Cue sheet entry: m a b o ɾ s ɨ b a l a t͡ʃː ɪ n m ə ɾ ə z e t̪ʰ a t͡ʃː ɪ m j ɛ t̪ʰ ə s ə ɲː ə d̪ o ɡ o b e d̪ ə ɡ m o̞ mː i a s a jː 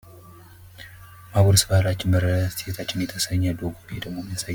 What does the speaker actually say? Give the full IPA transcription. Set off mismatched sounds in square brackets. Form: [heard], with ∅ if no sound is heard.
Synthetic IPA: m a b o ɾ s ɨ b a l a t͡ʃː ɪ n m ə ɾ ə [s] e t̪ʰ a t͡ʃː ɪ [n] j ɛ t̪ʰ ə s ə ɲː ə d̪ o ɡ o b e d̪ ə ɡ m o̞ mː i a s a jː